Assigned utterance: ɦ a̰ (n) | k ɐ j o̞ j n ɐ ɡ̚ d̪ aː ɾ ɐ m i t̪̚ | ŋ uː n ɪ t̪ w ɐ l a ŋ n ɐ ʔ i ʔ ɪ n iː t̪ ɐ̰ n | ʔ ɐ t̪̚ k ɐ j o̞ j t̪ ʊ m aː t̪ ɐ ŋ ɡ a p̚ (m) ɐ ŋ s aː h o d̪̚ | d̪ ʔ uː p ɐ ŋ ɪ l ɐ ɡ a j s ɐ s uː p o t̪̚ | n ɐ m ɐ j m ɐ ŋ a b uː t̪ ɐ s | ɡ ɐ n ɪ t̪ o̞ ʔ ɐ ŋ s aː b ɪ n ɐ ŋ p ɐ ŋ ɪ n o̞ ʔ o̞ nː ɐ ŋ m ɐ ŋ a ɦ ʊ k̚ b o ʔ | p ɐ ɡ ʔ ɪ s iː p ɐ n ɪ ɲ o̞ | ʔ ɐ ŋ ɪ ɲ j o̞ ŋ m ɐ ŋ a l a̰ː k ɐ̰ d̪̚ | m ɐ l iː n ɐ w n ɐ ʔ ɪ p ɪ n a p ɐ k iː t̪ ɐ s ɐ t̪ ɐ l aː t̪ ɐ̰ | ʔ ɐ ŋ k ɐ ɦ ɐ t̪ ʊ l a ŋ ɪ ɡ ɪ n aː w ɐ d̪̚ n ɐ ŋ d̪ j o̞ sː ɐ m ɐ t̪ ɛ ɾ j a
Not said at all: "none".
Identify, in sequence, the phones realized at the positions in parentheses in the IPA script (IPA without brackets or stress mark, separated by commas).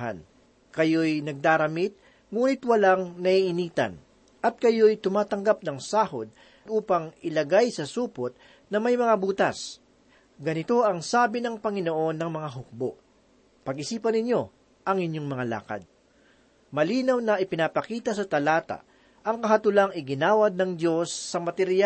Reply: n, n